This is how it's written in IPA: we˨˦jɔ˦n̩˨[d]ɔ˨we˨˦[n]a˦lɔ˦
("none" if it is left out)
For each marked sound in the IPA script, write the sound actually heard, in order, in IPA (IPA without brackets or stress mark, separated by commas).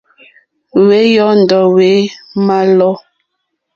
d, m